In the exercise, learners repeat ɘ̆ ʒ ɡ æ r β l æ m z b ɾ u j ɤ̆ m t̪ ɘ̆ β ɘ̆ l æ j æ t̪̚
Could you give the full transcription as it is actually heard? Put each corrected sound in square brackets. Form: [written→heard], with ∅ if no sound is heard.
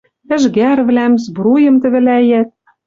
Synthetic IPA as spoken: ɘ̆ ʒ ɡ æ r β l æ m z b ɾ u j ɤ̆ m t̪ ɘ̆ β ɘ̆ l æ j æ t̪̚